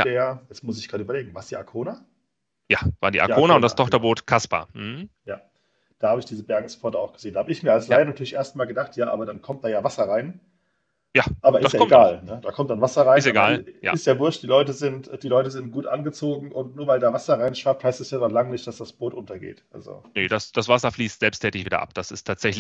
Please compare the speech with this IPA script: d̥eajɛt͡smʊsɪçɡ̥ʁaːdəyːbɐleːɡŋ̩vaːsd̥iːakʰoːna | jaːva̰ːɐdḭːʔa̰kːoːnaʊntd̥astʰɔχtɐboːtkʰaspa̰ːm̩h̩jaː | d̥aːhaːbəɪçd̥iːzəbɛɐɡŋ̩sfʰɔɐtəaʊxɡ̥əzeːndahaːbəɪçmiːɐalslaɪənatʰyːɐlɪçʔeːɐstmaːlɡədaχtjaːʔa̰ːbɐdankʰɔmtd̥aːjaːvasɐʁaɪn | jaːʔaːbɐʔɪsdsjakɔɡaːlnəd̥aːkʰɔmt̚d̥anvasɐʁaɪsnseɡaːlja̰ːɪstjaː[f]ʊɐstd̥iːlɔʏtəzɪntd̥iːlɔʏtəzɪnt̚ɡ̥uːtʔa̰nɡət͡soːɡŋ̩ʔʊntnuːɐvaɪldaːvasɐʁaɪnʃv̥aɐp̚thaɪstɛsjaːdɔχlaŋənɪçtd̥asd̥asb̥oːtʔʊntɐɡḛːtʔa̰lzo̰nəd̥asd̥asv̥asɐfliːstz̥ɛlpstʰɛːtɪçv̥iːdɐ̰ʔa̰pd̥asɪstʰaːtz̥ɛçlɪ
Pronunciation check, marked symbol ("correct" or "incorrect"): incorrect